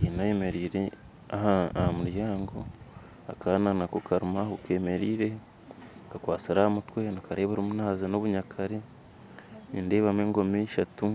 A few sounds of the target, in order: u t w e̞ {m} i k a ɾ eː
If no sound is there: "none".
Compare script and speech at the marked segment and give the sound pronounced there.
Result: n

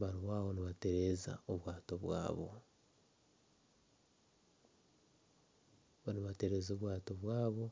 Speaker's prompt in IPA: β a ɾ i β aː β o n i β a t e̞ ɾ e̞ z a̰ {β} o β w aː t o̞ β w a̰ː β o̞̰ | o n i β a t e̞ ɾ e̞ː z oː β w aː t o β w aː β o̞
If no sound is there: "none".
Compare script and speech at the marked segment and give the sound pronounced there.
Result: none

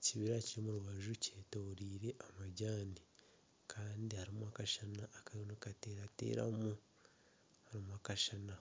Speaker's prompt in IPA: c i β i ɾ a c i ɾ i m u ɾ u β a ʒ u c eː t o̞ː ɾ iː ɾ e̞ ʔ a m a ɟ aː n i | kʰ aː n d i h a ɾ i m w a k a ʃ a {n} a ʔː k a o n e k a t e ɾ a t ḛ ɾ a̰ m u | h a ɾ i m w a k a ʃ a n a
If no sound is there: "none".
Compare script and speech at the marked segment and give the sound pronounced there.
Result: n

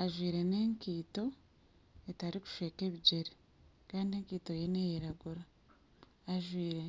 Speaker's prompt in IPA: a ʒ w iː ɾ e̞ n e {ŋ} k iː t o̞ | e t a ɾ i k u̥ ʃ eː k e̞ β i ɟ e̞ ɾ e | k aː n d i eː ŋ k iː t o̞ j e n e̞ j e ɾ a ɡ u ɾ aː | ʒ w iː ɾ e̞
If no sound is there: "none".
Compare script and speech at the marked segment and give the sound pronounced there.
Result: ŋ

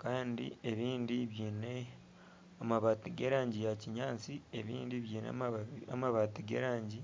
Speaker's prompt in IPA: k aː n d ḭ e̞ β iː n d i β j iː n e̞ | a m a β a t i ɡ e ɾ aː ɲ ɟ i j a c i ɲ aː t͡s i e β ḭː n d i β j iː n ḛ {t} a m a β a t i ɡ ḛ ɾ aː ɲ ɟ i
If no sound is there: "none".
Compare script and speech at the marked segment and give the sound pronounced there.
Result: none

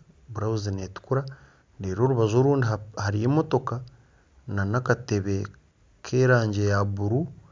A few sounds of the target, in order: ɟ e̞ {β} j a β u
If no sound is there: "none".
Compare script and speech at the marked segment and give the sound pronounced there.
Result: none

